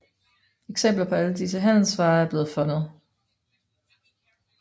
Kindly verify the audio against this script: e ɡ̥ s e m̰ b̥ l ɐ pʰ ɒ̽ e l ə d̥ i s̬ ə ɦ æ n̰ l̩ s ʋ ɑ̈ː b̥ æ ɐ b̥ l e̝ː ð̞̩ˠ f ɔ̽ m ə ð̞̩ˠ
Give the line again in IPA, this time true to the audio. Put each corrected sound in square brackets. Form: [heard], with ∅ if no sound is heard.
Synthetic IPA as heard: e ɡ̥ s e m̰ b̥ l ɐ pʰ ɒ̽ [æ] l ə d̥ i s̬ ə ɦ æ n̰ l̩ s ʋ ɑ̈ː [∅] æ ɐ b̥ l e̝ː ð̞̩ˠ f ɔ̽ [n] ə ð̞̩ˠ